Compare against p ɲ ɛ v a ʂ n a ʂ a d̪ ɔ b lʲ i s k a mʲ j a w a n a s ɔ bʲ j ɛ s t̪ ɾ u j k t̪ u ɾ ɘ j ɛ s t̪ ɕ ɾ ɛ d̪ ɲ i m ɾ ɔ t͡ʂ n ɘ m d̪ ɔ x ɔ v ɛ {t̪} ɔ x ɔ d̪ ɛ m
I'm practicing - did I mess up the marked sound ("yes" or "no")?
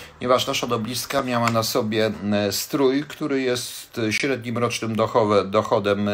yes